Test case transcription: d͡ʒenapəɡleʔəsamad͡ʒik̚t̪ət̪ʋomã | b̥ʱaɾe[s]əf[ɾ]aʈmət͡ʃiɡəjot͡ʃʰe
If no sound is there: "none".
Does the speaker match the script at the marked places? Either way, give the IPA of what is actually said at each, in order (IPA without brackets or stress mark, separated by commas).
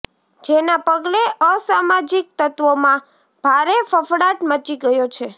f, ɽ